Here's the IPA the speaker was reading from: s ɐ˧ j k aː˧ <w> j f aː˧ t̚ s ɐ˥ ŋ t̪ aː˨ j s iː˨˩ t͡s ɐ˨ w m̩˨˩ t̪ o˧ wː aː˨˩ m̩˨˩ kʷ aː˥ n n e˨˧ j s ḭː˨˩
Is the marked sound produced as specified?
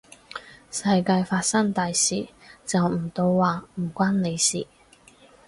no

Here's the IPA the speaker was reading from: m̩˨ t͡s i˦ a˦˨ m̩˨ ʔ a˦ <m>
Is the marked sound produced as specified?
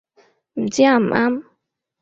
yes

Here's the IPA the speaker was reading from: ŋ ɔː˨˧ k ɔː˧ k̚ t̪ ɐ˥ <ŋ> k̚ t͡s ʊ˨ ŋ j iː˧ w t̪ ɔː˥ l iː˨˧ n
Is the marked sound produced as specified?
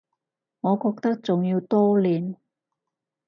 no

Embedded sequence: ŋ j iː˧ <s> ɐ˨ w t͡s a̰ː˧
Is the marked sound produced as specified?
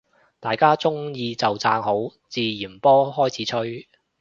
no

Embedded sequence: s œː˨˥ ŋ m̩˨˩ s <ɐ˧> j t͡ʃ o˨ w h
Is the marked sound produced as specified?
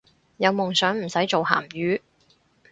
no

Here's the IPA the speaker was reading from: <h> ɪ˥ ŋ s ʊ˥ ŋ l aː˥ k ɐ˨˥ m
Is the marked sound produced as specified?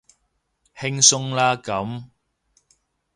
yes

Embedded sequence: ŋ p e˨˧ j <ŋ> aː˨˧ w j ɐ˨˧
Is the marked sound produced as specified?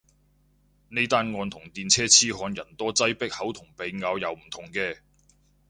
yes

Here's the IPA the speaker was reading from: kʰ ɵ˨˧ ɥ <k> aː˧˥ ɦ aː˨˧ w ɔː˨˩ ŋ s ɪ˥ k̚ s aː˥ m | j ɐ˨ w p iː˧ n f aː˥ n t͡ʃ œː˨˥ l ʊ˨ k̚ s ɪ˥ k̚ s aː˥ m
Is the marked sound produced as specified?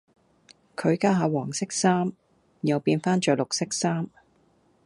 yes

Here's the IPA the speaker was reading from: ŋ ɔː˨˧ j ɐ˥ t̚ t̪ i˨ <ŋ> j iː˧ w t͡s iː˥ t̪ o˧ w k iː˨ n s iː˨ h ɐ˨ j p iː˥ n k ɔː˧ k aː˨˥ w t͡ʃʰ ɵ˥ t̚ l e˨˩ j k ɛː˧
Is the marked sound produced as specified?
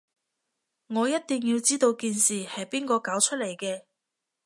yes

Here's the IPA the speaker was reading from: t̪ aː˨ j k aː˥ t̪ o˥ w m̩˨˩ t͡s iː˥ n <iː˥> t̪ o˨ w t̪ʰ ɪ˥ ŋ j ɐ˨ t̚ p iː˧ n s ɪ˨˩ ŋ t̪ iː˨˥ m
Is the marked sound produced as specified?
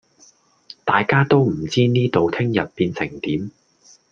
yes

